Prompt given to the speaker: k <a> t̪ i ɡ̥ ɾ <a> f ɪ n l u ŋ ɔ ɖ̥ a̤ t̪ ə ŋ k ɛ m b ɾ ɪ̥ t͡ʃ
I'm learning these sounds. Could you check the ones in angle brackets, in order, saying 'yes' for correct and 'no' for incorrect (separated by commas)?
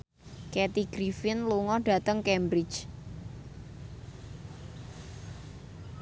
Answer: no, no